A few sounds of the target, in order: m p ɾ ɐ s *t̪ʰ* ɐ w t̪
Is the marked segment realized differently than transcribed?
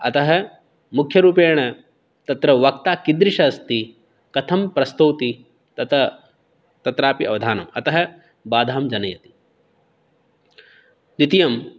yes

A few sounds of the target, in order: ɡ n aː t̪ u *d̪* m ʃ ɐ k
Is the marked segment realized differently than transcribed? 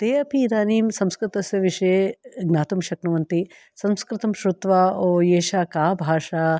yes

